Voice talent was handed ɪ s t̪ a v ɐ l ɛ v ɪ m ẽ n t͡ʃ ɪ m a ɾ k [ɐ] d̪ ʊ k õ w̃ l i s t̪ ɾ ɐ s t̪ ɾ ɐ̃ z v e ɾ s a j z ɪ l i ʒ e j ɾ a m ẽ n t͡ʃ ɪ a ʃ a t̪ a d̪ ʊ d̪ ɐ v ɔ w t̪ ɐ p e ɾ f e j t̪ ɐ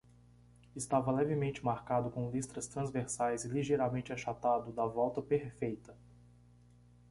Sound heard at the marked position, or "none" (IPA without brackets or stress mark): a